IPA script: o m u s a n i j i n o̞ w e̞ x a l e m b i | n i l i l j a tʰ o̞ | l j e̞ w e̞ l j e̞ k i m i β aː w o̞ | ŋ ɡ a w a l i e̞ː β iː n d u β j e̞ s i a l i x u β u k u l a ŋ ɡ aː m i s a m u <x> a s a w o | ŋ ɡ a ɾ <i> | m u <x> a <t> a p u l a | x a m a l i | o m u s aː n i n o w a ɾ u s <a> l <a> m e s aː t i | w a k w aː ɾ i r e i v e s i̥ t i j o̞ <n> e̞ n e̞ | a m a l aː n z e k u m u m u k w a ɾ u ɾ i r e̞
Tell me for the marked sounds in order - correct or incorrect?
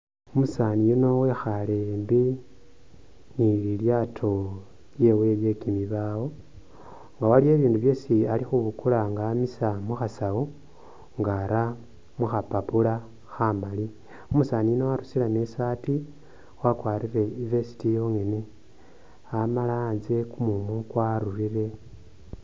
correct, incorrect: a, correct, incorrect: p, incorrect: i, correct, incorrect: ŋ

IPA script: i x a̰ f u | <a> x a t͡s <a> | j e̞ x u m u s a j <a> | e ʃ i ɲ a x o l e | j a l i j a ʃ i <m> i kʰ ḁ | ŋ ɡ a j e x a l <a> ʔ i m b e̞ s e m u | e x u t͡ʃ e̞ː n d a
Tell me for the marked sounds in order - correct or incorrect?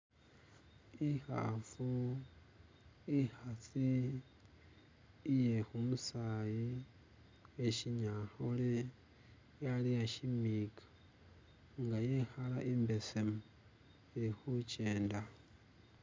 incorrect: i, incorrect: i, incorrect: i, correct, correct

